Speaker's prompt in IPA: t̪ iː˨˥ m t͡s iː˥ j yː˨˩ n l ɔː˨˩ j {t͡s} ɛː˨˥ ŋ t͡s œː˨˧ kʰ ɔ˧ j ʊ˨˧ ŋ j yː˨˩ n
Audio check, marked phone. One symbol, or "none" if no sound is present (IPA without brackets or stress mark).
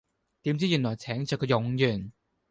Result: t͡sʰ